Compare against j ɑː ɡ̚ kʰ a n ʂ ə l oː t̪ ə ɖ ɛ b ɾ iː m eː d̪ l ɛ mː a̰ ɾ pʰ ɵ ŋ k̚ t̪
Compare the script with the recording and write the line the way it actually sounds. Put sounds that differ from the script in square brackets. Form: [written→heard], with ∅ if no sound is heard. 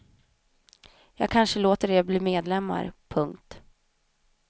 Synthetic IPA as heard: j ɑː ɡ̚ kʰ a n ʂ ə l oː t̪ ə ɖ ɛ b [ɾ→l] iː m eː d̪ l ɛ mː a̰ ɾ pʰ ɵ ŋ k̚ t̪